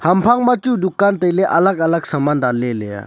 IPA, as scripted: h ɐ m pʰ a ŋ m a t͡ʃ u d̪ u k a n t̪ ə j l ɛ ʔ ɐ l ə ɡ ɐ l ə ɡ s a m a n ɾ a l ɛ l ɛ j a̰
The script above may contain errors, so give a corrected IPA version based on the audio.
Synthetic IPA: h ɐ m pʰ a ŋ m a t͡ʃ u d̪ u k a n t̪ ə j l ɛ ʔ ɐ l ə ɡ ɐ l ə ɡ s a m a n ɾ a l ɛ l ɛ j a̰